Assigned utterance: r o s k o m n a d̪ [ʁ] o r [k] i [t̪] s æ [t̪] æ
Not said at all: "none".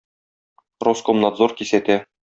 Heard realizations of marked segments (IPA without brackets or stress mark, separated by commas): z, k, none, t̪